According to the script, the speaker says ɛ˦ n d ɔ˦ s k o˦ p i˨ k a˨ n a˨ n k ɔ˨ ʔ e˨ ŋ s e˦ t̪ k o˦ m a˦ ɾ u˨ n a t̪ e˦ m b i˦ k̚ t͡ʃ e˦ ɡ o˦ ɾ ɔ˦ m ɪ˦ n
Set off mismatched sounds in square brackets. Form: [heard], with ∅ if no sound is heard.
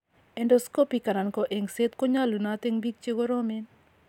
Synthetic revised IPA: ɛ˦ n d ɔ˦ s k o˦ p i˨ k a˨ n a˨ n k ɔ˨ ʔ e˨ ŋ s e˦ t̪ k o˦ [ɲ] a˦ [l] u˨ n a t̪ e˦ [ŋ] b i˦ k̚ t͡ʃ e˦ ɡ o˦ ɾ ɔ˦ m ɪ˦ n